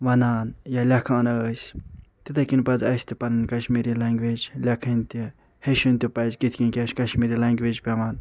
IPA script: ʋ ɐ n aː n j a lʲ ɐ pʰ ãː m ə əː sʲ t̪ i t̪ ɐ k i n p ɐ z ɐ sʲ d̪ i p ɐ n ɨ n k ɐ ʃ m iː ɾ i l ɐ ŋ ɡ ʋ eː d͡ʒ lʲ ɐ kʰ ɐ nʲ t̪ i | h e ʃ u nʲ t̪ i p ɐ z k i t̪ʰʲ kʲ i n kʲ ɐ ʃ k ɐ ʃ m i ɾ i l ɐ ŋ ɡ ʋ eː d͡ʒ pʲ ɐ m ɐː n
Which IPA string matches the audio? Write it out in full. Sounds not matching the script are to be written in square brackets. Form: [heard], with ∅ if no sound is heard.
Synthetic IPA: ʋ ɐ n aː n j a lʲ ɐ [kʰ] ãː [n] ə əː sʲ t̪ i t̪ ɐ k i n p ɐ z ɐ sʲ [t̪] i p ɐ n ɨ n k ɐ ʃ m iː ɾ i l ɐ ŋ ɡ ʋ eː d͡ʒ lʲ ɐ kʰ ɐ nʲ t̪ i | h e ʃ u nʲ t̪ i p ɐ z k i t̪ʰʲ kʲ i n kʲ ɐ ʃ k ɐ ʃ m i ɾ i l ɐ ŋ ɡ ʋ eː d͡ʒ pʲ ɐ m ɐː n